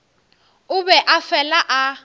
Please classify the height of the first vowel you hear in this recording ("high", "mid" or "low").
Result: high